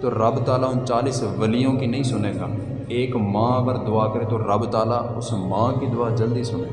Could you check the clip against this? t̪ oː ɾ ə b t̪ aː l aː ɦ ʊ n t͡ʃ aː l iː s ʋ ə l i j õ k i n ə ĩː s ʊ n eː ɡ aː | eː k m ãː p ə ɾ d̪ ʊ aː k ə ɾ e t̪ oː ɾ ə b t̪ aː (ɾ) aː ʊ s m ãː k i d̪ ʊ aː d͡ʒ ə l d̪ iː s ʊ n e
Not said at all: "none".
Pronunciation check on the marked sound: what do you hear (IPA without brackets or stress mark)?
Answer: l